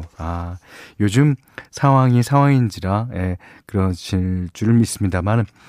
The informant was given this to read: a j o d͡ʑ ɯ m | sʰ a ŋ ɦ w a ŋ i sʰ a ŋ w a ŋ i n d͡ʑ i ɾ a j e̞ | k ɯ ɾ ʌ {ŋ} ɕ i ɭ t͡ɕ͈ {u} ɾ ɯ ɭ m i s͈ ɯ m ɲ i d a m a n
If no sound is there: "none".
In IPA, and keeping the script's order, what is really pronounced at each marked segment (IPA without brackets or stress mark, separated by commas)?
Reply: n, u